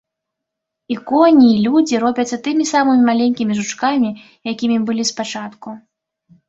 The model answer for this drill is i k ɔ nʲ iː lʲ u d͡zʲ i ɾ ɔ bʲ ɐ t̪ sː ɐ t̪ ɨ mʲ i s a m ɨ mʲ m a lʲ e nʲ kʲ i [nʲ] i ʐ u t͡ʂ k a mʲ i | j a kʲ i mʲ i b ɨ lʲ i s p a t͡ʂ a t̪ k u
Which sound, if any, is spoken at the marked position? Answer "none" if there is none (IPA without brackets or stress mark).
mʲ